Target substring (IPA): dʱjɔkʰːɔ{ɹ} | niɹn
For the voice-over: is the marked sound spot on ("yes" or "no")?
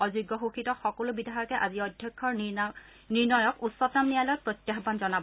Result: yes